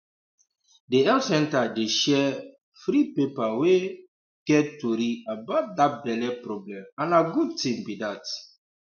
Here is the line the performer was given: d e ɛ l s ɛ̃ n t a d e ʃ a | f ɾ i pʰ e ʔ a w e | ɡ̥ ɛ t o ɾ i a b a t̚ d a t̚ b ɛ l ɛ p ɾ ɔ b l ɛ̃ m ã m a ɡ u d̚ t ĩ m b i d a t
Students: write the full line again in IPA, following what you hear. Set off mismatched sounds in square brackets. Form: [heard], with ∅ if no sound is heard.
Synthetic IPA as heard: d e ɛ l s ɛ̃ n t a d e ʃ [ɛ] | f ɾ i [p] e [p] a w e | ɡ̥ ɛ t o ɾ i a b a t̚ d a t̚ b ɛ l ɛ p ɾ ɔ b l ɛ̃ m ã [n] a ɡ u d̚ t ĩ m b i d a t